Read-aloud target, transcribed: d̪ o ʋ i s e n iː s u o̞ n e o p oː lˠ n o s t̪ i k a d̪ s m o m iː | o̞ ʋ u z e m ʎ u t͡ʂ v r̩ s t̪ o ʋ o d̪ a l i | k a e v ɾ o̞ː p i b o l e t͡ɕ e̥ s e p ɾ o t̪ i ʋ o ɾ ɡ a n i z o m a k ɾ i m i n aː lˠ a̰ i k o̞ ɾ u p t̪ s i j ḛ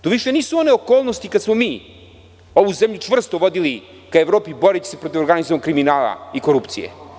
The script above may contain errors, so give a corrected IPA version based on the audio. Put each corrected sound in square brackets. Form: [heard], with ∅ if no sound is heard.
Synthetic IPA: [t̪] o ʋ i [ʃ] e n iː s u o̞ n e o [k] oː lˠ n o s t̪ i k a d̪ s m o m iː | o̞ ʋ u z e m ʎ u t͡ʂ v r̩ s t̪ o ʋ o d̪ [i] l i | k a e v ɾ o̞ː p i b o [ɾ] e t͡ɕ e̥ s e p ɾ o t̪ i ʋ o ɾ ɡ a n i z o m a k ɾ i m i n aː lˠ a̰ i k o̞ ɾ u p t̪ s i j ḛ